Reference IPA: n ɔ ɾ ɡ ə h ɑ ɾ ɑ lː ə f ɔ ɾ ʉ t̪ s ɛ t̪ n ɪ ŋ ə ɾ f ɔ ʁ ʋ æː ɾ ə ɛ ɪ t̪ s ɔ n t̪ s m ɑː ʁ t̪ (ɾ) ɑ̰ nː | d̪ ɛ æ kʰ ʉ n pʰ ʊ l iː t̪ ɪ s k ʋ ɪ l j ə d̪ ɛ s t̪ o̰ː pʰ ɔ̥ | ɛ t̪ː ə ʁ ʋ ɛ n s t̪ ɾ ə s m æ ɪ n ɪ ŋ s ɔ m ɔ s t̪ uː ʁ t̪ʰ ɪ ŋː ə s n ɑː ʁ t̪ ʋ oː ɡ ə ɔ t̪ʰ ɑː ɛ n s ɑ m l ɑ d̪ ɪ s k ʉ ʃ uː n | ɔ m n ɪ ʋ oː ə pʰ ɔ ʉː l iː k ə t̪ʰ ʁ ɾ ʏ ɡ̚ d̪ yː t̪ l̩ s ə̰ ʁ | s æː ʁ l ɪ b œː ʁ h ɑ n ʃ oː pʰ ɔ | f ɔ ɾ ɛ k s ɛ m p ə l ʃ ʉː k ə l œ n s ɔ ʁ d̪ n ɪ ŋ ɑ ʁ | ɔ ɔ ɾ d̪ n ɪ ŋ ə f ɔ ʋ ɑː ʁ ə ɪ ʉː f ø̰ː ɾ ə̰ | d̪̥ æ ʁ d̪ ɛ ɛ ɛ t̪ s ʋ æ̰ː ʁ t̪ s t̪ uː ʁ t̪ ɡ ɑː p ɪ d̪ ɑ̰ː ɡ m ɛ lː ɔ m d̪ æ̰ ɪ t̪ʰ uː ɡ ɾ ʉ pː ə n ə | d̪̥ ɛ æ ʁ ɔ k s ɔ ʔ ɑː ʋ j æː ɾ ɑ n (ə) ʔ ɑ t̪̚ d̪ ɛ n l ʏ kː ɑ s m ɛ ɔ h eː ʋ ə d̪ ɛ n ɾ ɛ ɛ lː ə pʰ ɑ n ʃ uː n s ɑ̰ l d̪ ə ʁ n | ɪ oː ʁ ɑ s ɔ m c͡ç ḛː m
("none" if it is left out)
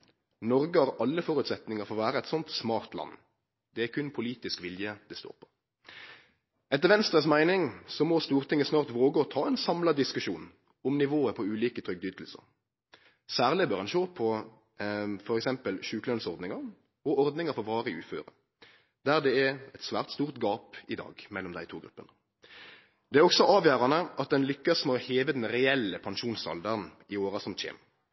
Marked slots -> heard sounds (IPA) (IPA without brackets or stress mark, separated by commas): l, ə